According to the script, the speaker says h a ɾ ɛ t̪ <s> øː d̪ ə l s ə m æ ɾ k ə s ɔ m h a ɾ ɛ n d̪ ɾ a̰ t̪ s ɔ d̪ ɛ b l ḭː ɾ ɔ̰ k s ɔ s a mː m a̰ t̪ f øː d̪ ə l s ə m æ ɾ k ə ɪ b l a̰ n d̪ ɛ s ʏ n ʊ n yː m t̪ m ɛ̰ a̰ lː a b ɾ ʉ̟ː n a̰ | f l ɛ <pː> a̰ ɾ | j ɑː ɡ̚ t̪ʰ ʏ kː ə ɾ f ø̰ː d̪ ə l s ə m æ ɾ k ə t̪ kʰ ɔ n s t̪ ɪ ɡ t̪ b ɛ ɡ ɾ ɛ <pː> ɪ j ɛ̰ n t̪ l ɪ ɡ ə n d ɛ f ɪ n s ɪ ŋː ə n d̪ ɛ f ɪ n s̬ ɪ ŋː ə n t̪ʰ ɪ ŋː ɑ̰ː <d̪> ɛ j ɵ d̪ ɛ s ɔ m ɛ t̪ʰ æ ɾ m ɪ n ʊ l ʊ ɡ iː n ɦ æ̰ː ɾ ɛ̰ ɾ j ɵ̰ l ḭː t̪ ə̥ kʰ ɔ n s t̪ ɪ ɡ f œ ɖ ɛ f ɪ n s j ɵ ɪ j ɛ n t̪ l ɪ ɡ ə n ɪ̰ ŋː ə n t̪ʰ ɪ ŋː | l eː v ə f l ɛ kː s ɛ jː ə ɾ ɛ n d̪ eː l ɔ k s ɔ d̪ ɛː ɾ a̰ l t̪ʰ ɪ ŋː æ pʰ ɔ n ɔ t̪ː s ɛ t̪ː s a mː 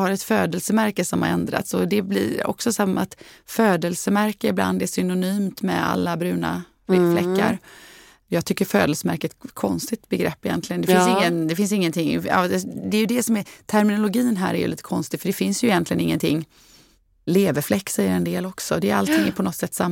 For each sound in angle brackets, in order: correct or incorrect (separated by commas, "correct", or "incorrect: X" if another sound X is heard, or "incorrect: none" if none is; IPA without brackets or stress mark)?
incorrect: f, incorrect: kː, correct, correct